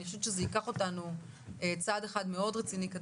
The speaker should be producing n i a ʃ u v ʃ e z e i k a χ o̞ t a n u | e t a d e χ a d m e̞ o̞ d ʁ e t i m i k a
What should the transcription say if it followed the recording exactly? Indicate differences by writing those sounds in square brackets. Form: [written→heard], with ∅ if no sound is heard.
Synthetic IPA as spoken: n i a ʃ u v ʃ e z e i k a χ o̞ t a n u | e [t→t͡s] a d e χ a d m e̞ o̞ d ʁ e [t→t͡s] i [m→n] i k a

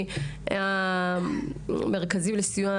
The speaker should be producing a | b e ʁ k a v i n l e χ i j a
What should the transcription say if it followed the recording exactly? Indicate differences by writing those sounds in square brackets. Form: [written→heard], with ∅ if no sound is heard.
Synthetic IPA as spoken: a | [b→m] e ʁ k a [v→z] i [n→m] l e [χ→s] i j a

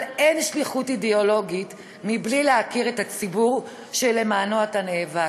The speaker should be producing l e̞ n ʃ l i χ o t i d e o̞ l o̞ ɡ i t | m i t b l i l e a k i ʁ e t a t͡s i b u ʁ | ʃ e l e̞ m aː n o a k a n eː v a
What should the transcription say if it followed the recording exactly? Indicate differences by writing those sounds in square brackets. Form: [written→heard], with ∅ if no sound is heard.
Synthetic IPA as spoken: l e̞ n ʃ l i χ [o→u] t i d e o̞ l o̞ ɡ i t | m i [t→∅] b l i l e a k i ʁ e t a t͡s i b u ʁ | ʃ e l e̞ m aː n o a [k→t] a n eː v a

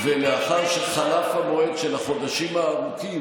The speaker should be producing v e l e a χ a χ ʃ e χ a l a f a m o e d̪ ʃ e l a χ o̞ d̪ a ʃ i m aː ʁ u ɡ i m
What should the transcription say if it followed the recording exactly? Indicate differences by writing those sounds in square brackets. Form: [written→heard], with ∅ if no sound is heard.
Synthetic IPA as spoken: v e l e a χ a [χ→ʁ] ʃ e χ a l a f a m o e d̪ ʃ e l a χ o̞ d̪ a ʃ i m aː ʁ u [ɡ→k] i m

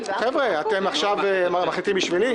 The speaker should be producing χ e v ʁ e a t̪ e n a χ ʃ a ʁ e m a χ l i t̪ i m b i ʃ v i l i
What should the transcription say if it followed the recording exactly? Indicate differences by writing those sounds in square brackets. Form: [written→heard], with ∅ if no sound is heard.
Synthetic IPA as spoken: χ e v ʁ e a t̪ e [n→m] a χ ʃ a [ʁ→v] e m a χ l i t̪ i m b i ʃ v i l i

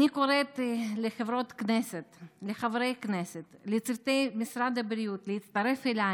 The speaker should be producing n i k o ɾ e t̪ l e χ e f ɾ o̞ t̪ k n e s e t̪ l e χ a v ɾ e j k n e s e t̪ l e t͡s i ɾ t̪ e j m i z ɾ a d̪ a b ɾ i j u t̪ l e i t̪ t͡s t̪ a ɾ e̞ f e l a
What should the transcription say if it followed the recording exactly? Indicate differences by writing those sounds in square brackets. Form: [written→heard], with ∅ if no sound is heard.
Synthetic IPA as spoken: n i k o ɾ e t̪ l e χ e [f→v] ɾ o̞ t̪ k n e s e t̪ l e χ a v ɾ e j k n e s e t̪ l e t͡s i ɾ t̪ e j m i [z→s] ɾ a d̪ a b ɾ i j u t̪ l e i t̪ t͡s t̪ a ɾ e̞ f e l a

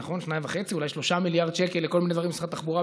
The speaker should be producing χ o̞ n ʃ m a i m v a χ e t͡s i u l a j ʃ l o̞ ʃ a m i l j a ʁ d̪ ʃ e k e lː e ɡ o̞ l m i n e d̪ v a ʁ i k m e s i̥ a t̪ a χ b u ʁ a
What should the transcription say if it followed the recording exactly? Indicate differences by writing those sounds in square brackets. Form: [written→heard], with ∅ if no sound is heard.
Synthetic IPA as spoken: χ o̞ n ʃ [m→n] a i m v a χ e t͡s i u l a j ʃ l o̞ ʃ a m i l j a ʁ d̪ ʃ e k e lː e [ɡ→k] o̞ l m i n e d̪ v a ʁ i [k→∅] m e s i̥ a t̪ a χ b u ʁ a

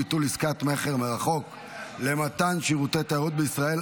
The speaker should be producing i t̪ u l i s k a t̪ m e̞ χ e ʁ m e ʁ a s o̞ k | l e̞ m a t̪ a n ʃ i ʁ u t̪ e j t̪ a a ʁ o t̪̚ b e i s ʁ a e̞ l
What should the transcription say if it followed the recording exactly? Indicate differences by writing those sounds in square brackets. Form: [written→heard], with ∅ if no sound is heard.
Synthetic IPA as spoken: i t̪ u l i s k a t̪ m e̞ χ e ʁ m e ʁ a [s→χ] o̞ k | l e̞ m a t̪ a n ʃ i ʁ u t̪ e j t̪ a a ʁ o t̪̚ b e i s ʁ a e̞ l

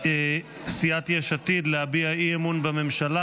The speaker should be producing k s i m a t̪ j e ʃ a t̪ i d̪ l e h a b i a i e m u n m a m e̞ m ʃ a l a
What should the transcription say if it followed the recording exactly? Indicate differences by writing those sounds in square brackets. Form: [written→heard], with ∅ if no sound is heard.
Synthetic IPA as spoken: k s i [m→∅] a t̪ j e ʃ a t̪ i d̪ l e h a b i a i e m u n [m→b] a m e̞ m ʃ a l a

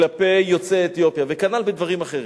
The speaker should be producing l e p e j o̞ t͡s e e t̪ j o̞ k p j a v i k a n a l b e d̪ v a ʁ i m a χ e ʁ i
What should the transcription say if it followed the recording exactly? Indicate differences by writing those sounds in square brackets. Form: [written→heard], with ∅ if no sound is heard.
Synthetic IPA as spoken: l [e→a] p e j o̞ t͡s e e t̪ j o̞ [k→∅] p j a v [i→e] k a n a l b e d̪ v a ʁ i m a χ e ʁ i

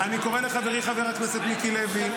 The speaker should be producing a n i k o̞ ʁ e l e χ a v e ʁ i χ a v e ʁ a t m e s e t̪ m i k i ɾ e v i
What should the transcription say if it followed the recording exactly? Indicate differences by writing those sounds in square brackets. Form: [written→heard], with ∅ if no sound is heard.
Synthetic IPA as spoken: a n i k o̞ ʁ e l e χ a v e ʁ i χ a v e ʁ a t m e s e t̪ m i k i [ɾ→l] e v i

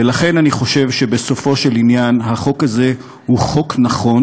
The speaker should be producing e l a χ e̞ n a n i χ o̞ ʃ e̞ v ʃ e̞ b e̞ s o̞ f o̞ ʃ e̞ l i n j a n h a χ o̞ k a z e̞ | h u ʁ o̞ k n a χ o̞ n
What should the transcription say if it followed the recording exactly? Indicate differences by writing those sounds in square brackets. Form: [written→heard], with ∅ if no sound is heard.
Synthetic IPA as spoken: e l a χ e̞ n a n i χ o̞ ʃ e̞ v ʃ e̞ b e̞ s o̞ f o̞ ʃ e̞ l i n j a n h a χ o̞ k a z e̞ | h u [ʁ→χ] o̞ k n a χ o̞ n

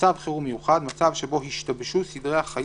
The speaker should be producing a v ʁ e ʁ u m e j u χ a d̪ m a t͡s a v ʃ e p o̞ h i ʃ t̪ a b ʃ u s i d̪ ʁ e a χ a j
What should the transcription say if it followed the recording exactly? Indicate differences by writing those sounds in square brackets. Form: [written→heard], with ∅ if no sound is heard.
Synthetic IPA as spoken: a v [ʁ→χ] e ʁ u m e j u χ a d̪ m a t͡s a v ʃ e [p→b] o̞ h i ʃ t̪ a b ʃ u s i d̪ ʁ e a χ a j

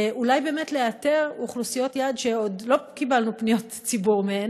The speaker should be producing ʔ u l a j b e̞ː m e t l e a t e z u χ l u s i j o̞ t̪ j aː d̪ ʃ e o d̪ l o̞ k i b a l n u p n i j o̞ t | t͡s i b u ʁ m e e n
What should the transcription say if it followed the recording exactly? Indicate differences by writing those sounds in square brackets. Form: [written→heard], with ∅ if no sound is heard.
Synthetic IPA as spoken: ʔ u l a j b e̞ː m e t l e a t e [z→ʁ] u χ l u s i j o̞ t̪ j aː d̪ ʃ e o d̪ l o̞ k i b a l n u p n i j o̞ t | t͡s i b u ʁ m e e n

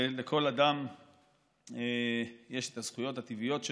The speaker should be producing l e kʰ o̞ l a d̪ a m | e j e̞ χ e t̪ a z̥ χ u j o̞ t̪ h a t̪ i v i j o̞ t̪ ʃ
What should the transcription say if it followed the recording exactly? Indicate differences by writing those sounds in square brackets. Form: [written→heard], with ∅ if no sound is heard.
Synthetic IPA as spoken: l e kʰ o̞ l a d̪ a m | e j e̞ [χ→ʃ] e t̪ a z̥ χ u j o̞ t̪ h a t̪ i v i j o̞ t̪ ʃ

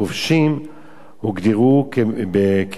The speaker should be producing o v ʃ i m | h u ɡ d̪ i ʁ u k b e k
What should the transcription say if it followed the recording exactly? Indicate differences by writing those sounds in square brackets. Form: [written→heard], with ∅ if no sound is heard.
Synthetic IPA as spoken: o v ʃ i m | h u ɡ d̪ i ʁ u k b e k

